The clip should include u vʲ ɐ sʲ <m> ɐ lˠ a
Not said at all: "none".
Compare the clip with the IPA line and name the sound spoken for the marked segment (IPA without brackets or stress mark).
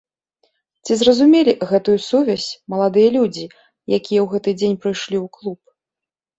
m